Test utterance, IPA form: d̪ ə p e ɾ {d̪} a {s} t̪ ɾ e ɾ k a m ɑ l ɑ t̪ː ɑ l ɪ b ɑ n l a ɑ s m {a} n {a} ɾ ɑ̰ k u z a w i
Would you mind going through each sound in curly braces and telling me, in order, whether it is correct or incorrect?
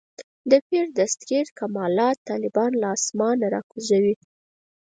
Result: correct, correct, incorrect, correct

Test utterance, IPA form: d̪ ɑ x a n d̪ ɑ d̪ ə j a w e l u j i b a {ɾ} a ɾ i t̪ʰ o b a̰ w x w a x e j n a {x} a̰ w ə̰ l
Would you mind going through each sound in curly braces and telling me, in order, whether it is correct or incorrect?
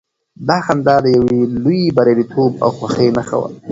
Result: correct, correct

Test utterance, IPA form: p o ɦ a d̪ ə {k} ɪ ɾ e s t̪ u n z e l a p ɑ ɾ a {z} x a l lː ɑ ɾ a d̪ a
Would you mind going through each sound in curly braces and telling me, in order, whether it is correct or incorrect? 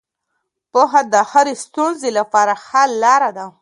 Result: incorrect, incorrect

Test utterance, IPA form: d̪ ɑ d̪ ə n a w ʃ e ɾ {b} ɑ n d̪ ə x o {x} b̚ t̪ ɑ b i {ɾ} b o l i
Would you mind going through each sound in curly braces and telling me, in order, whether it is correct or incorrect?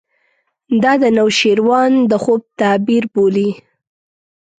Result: incorrect, incorrect, correct

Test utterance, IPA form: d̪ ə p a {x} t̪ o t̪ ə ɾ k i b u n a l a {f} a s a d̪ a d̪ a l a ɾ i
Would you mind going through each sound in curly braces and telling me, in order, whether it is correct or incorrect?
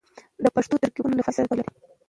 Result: incorrect, correct

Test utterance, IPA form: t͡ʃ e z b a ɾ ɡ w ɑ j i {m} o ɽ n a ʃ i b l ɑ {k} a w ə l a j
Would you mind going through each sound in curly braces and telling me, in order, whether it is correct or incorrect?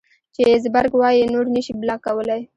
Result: incorrect, correct

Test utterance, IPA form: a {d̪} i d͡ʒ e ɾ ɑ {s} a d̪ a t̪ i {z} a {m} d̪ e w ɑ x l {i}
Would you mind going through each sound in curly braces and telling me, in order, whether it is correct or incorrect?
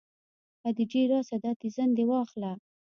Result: correct, correct, correct, incorrect, incorrect

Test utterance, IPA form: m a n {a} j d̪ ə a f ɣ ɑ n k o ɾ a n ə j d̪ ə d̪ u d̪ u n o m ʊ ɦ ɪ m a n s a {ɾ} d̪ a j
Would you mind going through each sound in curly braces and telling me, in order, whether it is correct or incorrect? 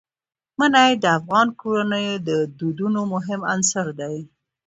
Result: correct, correct

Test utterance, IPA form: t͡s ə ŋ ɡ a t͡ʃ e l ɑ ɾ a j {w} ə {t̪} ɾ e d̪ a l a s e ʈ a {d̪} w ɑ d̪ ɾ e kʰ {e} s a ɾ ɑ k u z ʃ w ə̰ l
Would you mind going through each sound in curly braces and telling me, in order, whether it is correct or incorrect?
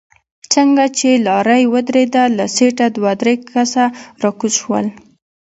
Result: correct, incorrect, correct, incorrect

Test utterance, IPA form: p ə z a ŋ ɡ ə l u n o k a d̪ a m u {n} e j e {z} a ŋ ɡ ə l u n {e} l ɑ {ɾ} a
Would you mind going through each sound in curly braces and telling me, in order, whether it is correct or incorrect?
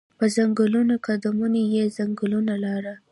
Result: correct, correct, incorrect, correct

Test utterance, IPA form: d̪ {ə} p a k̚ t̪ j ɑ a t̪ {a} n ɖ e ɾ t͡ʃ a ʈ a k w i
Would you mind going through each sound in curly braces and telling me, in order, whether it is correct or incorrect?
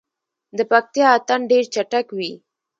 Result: correct, correct

